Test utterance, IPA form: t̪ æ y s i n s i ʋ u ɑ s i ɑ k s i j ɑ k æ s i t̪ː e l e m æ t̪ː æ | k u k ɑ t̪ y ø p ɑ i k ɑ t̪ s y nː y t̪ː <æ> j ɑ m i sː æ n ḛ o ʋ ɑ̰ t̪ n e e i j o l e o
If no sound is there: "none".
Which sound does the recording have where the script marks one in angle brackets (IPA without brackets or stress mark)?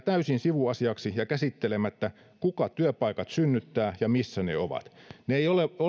æː